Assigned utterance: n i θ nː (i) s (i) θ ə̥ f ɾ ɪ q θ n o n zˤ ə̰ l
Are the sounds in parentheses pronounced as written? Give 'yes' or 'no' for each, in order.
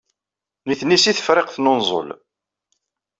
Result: yes, yes

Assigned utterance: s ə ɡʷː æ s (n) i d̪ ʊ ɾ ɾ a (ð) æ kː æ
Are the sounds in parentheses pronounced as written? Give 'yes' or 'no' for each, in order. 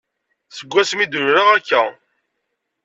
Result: no, no

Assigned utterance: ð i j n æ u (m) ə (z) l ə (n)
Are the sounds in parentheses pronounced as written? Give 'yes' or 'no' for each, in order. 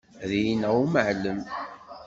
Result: yes, no, no

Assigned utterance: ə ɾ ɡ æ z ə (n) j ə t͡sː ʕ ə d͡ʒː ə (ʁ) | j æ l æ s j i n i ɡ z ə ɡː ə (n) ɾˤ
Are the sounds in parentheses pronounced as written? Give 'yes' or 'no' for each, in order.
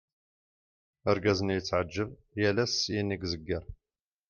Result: yes, no, no

